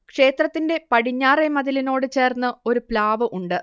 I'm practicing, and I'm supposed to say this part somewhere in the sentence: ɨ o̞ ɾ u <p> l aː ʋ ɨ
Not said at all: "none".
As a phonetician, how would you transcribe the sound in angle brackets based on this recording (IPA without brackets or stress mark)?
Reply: p